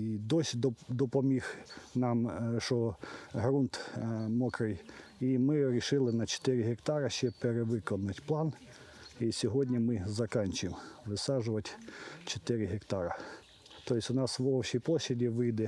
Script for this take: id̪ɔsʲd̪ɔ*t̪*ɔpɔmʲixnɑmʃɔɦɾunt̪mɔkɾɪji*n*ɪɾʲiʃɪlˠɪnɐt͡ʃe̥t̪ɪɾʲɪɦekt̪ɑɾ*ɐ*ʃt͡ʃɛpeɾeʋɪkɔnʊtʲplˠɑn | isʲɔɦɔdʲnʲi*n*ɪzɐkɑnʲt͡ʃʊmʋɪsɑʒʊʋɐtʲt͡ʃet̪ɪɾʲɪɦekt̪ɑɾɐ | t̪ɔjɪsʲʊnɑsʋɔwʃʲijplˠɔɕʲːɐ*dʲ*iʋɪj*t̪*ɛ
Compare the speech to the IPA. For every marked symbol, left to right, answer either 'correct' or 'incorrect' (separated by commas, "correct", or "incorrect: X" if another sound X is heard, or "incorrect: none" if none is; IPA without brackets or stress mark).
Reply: incorrect: d̪, incorrect: m, correct, incorrect: m, correct, incorrect: d̪